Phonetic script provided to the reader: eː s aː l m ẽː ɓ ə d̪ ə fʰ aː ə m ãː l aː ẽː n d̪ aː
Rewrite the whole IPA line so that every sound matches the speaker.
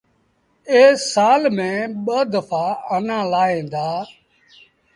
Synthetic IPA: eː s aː l m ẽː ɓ ə d̪ ə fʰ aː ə n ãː l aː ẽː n d̪ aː